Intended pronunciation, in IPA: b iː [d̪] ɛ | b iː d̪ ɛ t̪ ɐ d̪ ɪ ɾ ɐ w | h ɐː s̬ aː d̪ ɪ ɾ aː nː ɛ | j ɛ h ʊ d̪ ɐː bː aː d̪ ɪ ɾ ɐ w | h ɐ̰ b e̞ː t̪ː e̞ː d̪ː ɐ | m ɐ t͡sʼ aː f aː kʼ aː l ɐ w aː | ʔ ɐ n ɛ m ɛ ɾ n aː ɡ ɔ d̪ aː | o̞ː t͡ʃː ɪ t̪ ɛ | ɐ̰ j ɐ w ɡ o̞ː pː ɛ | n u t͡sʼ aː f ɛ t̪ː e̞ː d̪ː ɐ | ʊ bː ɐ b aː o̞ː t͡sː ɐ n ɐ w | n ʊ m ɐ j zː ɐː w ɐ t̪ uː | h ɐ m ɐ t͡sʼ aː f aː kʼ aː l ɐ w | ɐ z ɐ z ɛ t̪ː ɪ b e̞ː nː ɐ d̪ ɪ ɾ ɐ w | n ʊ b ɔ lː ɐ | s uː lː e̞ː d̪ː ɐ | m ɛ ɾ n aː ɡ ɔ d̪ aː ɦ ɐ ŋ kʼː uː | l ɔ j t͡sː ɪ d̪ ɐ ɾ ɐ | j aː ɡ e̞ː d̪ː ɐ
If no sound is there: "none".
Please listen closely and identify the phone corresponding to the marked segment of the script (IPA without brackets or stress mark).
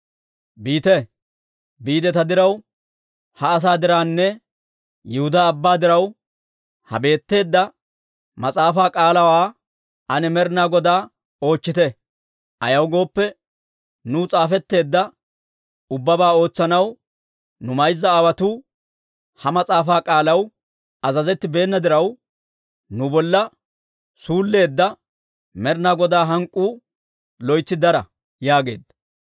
t̪